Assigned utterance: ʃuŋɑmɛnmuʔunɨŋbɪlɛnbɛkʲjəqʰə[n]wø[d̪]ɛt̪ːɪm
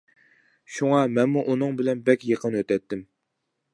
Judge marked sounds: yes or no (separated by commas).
yes, no